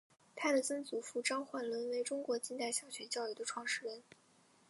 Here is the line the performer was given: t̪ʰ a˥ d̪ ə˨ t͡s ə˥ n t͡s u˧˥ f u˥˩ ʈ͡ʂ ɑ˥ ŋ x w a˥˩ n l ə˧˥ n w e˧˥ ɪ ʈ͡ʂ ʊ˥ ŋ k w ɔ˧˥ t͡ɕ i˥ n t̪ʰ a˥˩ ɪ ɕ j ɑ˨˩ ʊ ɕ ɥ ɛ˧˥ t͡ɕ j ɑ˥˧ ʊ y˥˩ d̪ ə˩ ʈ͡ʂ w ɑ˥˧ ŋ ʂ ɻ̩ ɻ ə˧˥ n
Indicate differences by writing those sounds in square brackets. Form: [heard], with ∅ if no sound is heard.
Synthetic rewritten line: t̪ʰ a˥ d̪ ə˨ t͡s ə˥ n t͡s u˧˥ f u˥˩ ʈ͡ʂ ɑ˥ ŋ x w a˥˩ n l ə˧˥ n w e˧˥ ɪ ʈ͡ʂ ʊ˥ ŋ k w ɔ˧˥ t͡ɕ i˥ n [t̪] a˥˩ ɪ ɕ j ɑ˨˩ ʊ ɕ ɥ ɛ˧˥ t͡ɕ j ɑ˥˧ ʊ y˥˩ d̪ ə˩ [ʈ͡ʂʰ] w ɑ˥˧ ŋ ʂ ɻ̩ ɻ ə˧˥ n